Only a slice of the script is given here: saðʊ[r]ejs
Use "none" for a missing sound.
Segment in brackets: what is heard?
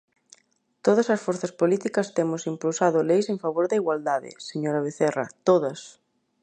l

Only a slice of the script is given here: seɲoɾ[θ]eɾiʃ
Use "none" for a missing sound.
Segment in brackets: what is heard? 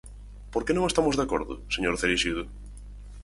θ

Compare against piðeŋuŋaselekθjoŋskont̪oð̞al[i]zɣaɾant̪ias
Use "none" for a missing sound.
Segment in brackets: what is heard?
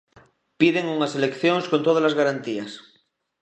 a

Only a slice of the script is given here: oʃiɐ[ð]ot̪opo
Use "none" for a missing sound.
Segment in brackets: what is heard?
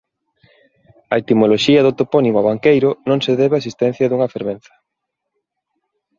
ð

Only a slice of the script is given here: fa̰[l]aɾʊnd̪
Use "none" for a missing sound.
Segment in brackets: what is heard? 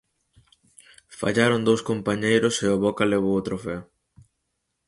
ʎ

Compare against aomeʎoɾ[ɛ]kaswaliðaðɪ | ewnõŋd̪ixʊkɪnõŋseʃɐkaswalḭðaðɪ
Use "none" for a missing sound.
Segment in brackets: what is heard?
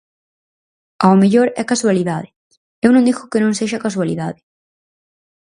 ɛ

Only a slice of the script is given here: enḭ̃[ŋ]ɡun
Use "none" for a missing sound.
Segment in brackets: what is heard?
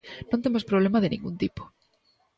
ŋ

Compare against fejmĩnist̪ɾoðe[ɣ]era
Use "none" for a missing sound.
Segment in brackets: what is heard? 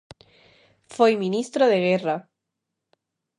ɣ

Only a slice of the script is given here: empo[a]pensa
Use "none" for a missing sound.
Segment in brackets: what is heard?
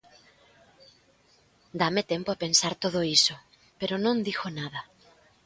a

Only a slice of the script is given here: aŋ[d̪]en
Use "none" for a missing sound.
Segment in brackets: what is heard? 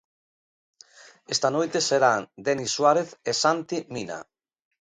d̪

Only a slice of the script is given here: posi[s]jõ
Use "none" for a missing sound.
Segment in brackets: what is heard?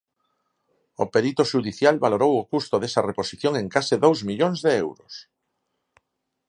θ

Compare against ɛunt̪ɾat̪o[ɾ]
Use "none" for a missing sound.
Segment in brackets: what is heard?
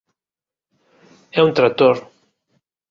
ɾ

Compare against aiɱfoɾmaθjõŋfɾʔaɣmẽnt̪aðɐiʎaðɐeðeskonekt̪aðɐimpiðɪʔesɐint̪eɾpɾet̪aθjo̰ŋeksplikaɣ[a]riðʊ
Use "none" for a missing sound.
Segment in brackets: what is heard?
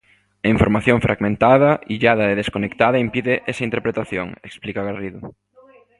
a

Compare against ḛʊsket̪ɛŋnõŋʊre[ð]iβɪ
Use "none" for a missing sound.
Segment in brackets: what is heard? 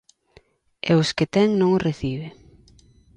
θ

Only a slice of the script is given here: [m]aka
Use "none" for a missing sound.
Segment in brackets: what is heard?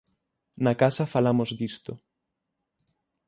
n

